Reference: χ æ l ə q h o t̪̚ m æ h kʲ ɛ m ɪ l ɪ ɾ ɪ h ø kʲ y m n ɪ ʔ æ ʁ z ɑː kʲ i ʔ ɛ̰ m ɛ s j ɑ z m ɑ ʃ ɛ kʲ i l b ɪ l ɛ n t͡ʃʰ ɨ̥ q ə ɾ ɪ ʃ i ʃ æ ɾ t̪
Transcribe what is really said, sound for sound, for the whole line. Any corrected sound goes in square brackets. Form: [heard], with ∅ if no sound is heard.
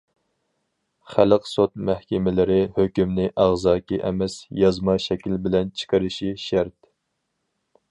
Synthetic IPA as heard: χ æ l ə q [s] o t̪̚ m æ h kʲ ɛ m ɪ l ɪ ɾ ɪ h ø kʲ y m n ɪ ʔ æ ʁ z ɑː kʲ i ʔ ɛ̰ m ɛ s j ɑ z m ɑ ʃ ɛ kʲ i l b ɪ l ɛ n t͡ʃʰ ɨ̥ q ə ɾ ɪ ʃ i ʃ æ ɾ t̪